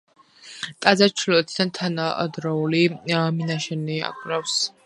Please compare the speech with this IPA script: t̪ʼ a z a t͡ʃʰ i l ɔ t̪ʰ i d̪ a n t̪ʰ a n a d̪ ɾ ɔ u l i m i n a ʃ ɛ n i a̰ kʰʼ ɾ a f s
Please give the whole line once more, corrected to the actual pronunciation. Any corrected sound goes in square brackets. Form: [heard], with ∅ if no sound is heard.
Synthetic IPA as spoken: t̪ʼ a z a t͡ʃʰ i l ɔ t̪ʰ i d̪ a n t̪ʰ a n a d̪ ɾ ɔ u l i m i n a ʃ ɛ n i a̰ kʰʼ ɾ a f s